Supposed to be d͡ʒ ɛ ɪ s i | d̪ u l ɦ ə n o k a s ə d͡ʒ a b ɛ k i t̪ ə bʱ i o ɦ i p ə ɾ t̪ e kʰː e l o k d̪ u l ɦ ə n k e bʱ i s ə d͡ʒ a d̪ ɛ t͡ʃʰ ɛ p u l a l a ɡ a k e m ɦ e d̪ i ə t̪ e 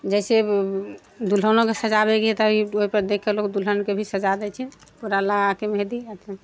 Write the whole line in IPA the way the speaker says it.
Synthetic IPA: d͡ʒ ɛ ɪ s e | d̪ u l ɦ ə n o k e s ə d͡ʒ a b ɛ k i t̪ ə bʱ i o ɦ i p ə ɾ d̪ e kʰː e l o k d̪ u l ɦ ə n k e bʱ i s ə d͡ʒ a d̪ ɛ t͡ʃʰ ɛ p u ɾ a l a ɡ a k e m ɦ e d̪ i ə t̪ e